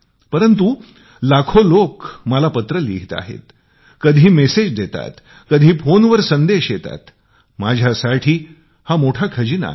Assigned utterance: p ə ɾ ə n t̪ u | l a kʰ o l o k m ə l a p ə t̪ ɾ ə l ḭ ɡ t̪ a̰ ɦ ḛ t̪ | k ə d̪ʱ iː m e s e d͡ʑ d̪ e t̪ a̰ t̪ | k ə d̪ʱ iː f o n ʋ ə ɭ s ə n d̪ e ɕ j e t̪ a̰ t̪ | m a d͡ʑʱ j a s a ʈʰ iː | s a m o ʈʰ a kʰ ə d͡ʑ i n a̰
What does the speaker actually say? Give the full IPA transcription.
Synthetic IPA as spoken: p ə ɾ ə n t̪ u | l a kʰ o l o k m ə l a p ə t̪ ɾ ə l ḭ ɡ t̪ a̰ ɦ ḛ t̪ | k ə d̪ʱ iː m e s e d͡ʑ d̪ e t̪ a̰ t̪ | k ə d̪ʱ iː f o n ʋ ə ɾ s ə n d̪ e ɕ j e t̪ a̰ t̪ | m a d͡ʑʱ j a s a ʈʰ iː | h a m o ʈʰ a kʰ ə d͡ʑ i n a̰